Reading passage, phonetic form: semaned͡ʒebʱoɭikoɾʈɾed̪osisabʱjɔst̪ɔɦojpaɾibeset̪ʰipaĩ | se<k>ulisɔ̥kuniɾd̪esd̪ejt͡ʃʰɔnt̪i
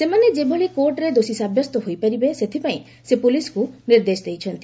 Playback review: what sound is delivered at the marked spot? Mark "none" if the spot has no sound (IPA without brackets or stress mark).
p